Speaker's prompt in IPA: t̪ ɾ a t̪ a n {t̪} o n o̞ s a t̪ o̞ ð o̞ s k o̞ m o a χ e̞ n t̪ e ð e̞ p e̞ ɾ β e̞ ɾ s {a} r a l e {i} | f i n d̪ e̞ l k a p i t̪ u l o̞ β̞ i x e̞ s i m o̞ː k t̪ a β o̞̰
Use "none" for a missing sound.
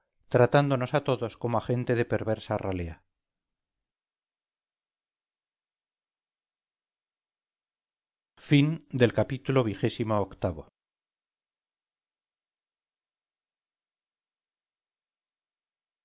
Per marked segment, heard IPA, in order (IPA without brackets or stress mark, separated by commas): d̪, a, a